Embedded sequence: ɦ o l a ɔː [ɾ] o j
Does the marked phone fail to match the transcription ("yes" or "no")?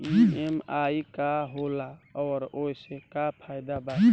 no